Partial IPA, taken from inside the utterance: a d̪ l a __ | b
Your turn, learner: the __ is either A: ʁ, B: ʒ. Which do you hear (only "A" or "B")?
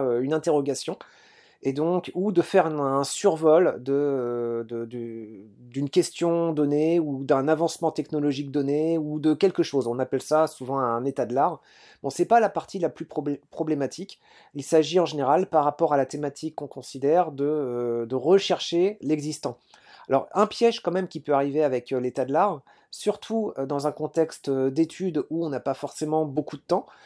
A